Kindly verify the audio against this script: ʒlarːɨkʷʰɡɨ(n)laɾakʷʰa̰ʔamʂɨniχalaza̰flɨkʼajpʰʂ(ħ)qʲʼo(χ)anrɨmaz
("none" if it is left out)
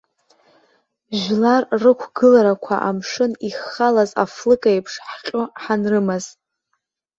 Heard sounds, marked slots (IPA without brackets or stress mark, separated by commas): none, ħ, ħ